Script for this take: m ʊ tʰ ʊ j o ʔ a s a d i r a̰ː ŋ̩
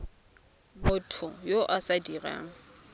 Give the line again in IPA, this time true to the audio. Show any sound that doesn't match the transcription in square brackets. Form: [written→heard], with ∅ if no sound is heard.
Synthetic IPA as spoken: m ʊ tʰ ʊ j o ʔ a s a d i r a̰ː ŋ̩

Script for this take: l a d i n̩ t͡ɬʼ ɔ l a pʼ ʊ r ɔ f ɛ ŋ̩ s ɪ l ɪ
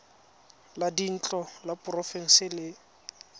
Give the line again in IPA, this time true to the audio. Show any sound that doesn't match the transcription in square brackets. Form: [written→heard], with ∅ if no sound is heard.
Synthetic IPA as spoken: l a d i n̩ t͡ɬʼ ɔ l a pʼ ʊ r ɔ f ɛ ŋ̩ s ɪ l ɪ

